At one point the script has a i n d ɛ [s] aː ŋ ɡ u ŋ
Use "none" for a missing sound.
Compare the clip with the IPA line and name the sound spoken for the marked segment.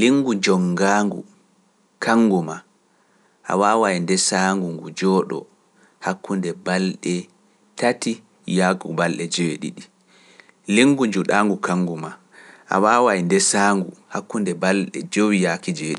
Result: s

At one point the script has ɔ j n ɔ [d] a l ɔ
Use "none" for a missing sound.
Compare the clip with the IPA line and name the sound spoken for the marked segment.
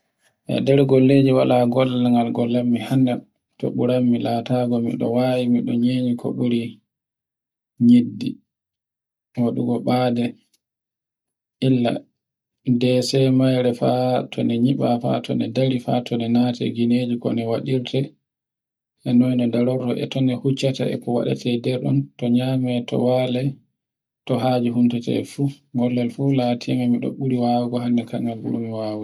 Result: d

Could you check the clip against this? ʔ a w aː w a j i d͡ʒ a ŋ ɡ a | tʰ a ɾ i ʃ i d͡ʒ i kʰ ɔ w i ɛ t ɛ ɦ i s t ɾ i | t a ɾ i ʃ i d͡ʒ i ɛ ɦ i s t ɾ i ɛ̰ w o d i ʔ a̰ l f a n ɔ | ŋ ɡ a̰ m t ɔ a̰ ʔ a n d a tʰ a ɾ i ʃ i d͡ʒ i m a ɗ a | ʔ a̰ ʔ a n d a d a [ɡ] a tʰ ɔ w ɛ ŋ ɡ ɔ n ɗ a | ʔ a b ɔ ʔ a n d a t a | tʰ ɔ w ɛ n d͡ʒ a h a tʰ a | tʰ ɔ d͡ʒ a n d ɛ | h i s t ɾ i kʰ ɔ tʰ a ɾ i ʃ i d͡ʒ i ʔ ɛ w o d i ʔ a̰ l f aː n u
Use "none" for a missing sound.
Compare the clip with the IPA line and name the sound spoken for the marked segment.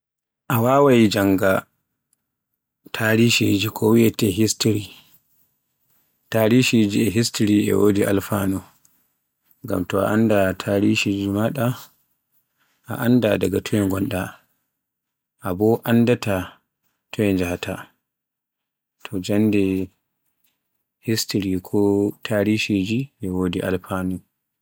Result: ɡ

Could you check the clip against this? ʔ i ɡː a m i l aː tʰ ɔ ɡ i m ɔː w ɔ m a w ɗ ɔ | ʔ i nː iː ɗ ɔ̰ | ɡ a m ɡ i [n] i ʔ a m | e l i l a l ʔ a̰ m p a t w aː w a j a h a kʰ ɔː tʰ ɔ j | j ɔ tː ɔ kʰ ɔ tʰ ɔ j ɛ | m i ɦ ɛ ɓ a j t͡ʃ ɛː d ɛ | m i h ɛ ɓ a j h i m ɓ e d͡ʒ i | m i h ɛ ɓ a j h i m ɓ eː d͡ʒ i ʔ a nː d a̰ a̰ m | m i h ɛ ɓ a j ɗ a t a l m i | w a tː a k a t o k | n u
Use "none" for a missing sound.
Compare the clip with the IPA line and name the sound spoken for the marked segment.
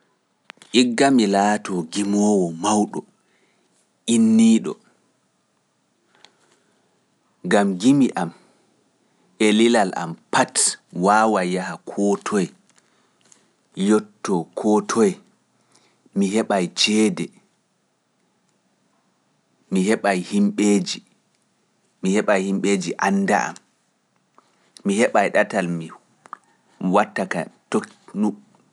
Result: m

